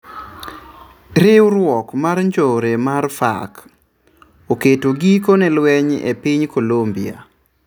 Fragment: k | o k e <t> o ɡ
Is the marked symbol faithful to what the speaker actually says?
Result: yes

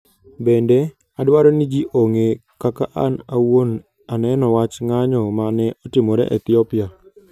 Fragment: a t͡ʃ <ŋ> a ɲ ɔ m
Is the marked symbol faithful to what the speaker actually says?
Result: yes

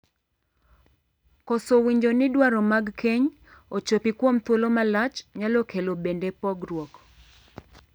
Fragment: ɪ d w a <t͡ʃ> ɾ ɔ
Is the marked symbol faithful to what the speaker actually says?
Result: no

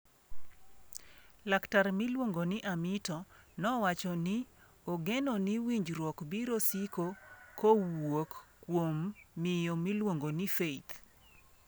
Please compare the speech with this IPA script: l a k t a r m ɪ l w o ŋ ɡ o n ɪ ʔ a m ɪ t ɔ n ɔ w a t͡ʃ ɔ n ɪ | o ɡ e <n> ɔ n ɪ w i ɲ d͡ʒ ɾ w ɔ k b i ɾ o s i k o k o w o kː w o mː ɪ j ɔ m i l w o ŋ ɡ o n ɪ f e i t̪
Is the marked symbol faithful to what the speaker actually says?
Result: yes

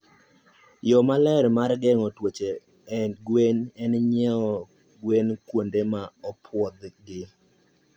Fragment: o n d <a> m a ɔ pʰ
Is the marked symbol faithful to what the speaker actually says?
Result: no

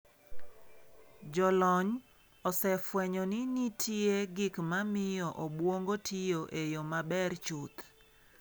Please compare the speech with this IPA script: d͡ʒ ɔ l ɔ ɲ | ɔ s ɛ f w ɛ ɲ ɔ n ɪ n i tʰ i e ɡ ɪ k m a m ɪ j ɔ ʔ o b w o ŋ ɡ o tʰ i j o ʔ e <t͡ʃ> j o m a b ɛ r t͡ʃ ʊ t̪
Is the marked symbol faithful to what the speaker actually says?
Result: no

